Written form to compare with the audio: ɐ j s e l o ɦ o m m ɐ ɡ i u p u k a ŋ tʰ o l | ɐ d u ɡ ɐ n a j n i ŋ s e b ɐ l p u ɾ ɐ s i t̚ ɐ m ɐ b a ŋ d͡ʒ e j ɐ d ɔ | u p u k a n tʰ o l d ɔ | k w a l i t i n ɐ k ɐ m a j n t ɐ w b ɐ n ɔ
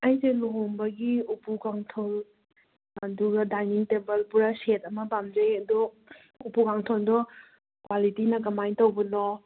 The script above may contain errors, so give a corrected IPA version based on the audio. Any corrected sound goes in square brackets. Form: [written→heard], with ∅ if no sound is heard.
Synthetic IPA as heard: ɐ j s e l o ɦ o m [m→b] ɐ ɡ i u p u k a ŋ tʰ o l | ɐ d u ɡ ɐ [n→d] a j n i ŋ [s→t] e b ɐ l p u ɾ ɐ s [i→e] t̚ ɐ m ɐ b a [ŋ→m] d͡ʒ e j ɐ d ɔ | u p u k a [n→ŋ] tʰ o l d ɔ | k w a l i t i n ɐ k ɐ m a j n t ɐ w b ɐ n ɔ